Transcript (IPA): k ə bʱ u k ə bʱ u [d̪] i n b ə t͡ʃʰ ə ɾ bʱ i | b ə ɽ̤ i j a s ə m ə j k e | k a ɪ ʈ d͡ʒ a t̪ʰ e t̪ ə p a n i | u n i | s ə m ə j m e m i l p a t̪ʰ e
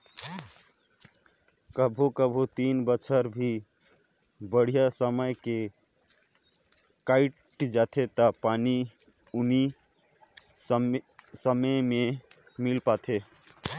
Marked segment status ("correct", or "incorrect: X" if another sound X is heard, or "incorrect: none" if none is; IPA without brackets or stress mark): incorrect: t̪